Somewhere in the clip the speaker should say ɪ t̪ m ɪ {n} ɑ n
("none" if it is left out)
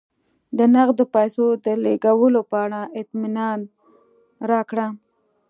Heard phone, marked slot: n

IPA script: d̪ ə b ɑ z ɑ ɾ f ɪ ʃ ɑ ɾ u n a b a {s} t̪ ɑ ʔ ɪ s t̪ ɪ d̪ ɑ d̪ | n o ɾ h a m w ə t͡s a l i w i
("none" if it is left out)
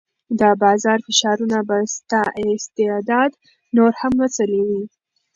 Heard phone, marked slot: s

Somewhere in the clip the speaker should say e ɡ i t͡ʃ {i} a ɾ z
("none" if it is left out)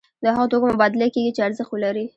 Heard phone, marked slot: e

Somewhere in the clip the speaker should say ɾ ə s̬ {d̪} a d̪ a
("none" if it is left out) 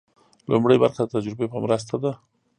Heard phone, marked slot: t̪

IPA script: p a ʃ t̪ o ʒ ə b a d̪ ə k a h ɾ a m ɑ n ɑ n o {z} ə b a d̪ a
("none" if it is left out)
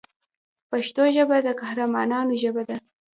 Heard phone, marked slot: ʒ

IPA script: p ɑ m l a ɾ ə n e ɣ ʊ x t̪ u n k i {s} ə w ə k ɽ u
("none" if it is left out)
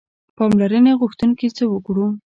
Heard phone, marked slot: t͡s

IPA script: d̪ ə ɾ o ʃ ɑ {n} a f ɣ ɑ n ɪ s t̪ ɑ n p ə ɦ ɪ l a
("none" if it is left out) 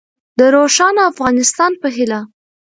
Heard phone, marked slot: n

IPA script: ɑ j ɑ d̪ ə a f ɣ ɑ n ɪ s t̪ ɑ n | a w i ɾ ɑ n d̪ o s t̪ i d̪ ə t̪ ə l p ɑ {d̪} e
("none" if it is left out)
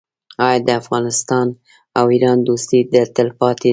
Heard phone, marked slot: t̪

